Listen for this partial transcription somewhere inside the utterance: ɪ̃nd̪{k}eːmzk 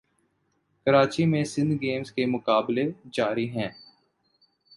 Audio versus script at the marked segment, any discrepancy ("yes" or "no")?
yes